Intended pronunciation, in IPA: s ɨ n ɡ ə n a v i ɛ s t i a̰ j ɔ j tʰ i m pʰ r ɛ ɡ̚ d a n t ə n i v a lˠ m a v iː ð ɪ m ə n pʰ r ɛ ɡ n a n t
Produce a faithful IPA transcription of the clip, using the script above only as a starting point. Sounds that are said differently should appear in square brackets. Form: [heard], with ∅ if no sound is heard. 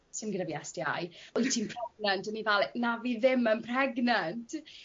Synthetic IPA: s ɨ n ɡ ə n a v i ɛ s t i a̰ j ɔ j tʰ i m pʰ r ɛ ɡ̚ [n] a n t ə n i v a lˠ [n] a v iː ð ɪ m ə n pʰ r ɛ ɡ n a n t